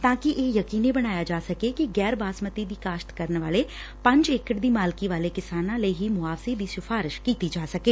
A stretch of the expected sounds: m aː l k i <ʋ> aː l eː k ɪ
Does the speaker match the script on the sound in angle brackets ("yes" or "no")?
yes